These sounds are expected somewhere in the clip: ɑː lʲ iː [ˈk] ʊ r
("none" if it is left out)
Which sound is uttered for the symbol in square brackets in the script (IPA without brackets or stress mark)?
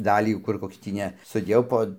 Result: k